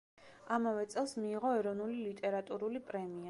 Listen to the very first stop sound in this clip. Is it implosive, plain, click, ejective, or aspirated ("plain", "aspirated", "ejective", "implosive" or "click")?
plain